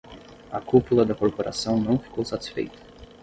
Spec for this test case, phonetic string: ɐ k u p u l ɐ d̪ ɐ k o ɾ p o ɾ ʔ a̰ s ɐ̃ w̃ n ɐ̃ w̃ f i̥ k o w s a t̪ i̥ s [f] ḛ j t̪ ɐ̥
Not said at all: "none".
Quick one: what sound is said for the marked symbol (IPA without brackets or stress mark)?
f